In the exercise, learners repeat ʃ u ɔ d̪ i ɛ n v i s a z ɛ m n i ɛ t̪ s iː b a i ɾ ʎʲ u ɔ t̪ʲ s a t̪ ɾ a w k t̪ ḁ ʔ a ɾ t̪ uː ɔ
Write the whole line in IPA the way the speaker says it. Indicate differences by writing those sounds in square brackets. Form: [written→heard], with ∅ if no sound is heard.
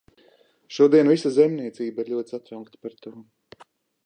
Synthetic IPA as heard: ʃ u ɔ d̪ i ɛ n v i s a z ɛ m n i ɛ t̪ s iː b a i ɾ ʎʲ u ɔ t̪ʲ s a t̪ ɾ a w k t̪ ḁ [ʔ→p] a ɾ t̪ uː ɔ